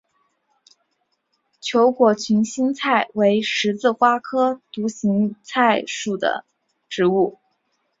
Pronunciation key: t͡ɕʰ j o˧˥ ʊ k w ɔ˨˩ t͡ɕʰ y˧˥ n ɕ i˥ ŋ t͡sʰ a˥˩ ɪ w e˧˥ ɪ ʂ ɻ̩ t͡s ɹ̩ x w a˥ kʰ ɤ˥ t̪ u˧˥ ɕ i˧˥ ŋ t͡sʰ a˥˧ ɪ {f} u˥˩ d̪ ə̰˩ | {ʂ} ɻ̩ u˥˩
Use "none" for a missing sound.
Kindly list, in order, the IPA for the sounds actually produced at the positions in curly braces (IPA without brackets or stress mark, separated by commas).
ʂ, ʈ͡ʂ